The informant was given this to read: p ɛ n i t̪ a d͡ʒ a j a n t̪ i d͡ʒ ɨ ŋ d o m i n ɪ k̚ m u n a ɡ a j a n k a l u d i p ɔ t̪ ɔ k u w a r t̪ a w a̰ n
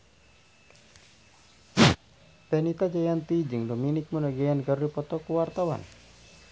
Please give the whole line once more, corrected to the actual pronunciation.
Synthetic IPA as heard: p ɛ n i t̪ a d͡ʒ a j a n t̪ i d͡ʒ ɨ ŋ d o m i n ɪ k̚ m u n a ɡ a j a n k a ɾ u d i p ɔ t̪ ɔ k u w a r t̪ a w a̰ n